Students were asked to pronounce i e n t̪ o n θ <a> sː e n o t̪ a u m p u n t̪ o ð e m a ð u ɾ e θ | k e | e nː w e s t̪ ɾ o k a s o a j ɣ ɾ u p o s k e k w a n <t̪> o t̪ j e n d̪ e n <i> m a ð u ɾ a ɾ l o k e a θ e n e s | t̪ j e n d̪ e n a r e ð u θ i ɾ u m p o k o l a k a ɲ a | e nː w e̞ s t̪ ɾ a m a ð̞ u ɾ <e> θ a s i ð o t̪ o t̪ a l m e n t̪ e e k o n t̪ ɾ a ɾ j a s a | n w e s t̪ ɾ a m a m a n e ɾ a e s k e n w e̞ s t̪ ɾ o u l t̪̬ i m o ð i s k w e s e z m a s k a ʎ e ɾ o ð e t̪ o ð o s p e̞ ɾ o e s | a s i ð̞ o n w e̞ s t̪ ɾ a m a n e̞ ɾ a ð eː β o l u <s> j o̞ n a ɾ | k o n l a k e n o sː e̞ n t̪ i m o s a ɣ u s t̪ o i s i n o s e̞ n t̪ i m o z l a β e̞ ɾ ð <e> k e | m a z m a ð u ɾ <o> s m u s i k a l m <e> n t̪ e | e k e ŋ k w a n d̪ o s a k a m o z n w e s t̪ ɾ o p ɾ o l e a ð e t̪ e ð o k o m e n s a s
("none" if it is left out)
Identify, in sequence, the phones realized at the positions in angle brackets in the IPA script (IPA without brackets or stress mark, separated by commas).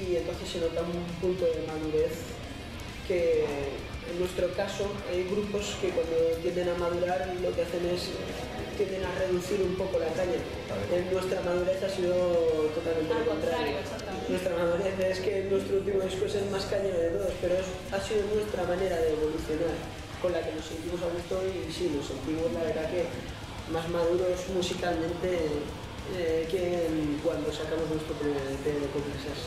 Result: e, d̪, a, e, θ, a, o, ẽ